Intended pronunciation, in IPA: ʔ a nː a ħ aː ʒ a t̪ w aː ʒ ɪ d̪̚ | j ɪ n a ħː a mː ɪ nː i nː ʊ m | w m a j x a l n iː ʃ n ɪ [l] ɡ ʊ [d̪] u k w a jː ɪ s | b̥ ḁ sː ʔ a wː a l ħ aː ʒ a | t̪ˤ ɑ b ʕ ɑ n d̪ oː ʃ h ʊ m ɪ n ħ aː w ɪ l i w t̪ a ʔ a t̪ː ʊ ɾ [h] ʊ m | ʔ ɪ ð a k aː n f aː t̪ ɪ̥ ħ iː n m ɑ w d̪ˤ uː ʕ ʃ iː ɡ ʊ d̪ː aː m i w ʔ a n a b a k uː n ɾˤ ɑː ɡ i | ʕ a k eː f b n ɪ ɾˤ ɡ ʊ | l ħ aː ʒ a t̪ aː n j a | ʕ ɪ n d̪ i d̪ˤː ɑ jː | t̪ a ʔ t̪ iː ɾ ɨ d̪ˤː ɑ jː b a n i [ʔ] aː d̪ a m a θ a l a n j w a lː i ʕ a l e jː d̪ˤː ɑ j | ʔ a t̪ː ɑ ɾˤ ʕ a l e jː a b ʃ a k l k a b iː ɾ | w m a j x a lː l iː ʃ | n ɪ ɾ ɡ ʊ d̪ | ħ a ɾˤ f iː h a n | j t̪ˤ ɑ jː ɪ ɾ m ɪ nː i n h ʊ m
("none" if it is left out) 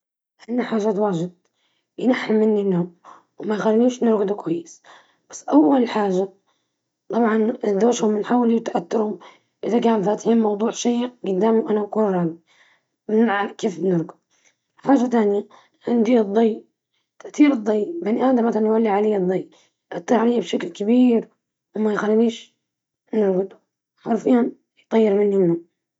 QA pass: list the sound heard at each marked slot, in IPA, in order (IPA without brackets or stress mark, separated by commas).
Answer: ɾ, d̪, h, ʔ